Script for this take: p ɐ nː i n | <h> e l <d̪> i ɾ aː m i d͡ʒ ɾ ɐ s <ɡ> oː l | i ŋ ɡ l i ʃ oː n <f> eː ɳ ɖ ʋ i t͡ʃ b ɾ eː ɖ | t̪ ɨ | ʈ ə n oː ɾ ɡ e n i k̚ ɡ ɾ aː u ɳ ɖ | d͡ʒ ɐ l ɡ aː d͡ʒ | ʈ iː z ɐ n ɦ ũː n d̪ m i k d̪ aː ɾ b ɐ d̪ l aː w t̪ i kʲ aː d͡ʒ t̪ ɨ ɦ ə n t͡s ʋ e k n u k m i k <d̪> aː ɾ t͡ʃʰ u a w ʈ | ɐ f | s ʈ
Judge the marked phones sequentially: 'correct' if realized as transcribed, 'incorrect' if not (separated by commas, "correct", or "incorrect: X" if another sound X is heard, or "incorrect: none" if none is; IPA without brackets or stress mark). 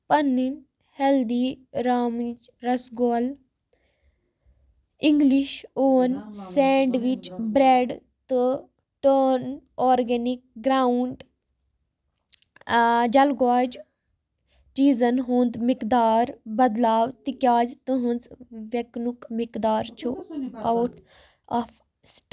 correct, correct, correct, incorrect: s, correct